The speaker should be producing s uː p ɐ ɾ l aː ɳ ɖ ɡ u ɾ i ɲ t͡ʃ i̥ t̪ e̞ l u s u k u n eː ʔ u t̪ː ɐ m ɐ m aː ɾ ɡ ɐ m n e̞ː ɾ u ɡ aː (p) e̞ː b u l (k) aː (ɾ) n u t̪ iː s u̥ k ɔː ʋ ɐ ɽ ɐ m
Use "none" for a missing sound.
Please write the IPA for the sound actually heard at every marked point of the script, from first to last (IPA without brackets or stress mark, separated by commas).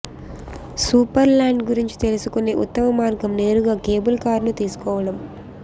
k, k, ɾ